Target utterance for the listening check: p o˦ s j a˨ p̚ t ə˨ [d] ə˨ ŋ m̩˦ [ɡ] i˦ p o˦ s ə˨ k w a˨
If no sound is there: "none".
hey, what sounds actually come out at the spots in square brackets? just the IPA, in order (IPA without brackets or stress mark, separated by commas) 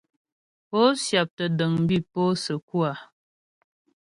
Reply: d, b